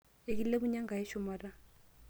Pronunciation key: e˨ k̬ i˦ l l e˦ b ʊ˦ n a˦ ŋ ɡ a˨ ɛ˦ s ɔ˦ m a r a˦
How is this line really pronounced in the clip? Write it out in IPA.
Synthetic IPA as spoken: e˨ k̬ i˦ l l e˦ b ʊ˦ ɲ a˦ ŋ ɡ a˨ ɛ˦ ʃ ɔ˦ m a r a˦